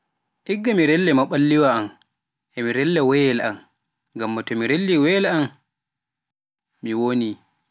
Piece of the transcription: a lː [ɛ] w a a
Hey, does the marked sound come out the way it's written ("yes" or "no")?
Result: no